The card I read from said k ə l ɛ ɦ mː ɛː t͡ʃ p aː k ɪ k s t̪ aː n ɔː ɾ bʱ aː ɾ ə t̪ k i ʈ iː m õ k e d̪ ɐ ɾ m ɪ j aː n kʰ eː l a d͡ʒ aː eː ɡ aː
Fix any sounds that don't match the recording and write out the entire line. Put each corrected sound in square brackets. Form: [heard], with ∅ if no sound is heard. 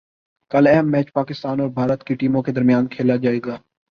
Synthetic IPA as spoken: k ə l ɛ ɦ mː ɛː t͡ʃ p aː k ɪ [∅] s t̪ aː n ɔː ɾ bʱ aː ɾ ə t̪ k i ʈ iː m õ k e d̪ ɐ ɾ m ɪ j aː n kʰ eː l a d͡ʒ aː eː ɡ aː

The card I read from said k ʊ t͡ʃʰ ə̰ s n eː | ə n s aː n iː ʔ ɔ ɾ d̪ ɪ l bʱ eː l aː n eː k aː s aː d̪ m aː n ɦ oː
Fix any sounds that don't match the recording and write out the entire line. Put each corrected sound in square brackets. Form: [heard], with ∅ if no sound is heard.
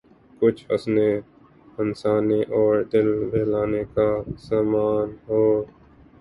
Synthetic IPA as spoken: k ʊ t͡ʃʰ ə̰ s n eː | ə n s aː n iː ʔ [ɔː] ɾ d̪ ɪ l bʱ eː l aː n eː k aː s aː [∅] m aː n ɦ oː

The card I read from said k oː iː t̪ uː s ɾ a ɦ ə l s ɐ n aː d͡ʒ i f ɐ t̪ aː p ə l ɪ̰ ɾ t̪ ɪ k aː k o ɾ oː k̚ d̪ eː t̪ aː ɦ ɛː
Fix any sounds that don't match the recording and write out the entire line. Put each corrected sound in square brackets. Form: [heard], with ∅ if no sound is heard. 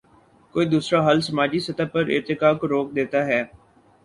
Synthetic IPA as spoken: k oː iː [d̪] uː s ɾ a ɦ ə l s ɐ [m] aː d͡ʒ i [s] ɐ t̪ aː p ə [ɾ] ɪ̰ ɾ t̪ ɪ k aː k o ɾ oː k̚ d̪ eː t̪ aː ɦ ɛː

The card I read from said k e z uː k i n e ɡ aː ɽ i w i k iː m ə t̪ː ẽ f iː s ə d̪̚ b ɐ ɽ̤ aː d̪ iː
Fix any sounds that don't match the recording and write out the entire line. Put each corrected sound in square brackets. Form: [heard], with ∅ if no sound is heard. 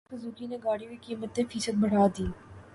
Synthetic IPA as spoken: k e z uː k i n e ɡ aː ɽ i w i k iː m ə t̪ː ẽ f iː s ə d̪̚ b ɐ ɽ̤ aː d̪ iː

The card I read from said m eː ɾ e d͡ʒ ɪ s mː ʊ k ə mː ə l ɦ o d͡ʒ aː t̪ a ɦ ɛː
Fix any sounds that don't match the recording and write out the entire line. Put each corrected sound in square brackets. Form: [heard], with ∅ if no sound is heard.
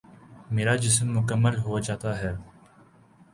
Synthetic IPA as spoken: m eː ɾ [a] d͡ʒ ɪ s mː ʊ k ə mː ə l ɦ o d͡ʒ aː t̪ a ɦ ɛː

